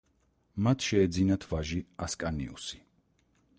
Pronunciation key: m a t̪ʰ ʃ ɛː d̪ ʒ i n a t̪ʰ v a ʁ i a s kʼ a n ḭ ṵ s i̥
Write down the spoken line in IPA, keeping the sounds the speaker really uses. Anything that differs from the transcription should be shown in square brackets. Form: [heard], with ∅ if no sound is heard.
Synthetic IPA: m a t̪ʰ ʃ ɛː d̪ [z] i n a t̪ʰ v a [ʒ] i a s kʼ a n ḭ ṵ s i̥